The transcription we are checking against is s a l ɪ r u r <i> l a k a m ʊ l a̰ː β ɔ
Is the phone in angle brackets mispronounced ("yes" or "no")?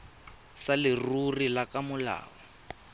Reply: no